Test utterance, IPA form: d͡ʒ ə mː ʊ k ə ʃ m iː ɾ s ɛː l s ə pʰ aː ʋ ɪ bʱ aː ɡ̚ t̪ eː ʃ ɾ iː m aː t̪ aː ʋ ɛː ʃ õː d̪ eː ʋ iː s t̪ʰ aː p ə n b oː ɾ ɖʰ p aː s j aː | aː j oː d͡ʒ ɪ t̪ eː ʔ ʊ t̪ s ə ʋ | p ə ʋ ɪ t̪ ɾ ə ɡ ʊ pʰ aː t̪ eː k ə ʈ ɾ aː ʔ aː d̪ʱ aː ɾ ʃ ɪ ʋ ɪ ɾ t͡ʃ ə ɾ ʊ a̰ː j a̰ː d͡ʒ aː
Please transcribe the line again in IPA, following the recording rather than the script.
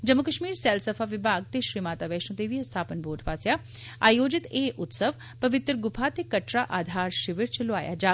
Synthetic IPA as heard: d͡ʒ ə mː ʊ k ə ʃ m iː ɾ s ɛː l s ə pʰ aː ʋ ɪ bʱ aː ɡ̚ t̪ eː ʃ ɾ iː m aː t̪ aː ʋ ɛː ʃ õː t̪ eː ʋ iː s t̪ʰ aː p ə n b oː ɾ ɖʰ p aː s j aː | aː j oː d͡ʒ ɪ t̪ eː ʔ ʊ t̪ s ə ʋ | p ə ʋ ɪ t̪ ɾ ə ɡ ʊ pʰ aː t̪ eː k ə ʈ ɾ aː ʔ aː d̪ʱ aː ɾ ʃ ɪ ʋ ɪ ɾ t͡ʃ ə l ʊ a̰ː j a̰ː d͡ʒ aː